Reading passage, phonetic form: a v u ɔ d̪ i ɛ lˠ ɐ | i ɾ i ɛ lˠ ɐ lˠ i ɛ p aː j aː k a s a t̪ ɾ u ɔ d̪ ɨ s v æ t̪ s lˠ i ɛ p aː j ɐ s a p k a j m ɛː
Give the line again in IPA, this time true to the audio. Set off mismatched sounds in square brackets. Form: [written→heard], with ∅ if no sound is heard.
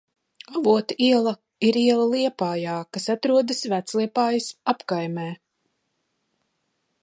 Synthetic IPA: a v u ɔ [d̪→t̪] i ɛ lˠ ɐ | i ɾ i ɛ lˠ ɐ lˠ i ɛ p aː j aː k a s a t̪ ɾ u ɔ d̪ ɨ s v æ t̪ s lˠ i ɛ p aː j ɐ s a p k a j m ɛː